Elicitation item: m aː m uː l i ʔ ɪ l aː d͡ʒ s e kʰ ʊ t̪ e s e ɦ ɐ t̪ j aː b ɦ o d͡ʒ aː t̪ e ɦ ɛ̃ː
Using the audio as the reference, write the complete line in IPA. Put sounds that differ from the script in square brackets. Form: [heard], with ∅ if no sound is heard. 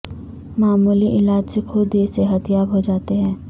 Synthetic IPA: m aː m uː l i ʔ ɪ l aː d͡ʒ s e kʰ ʊ [d̪] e s e ɦ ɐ t̪ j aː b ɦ o d͡ʒ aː t̪ e ɦ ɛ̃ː